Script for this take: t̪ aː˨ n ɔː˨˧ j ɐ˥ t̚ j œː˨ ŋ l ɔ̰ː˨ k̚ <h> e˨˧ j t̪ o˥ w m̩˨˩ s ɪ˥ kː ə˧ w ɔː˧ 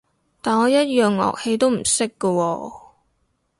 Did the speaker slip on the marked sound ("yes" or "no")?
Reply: no